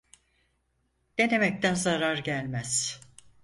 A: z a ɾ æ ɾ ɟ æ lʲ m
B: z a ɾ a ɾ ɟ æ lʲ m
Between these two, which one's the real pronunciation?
B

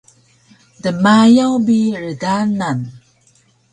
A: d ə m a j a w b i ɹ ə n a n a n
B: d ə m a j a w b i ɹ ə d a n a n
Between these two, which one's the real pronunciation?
B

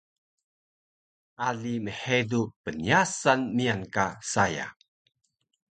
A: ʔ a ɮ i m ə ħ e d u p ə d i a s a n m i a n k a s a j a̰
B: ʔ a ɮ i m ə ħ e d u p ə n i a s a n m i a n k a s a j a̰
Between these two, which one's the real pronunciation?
B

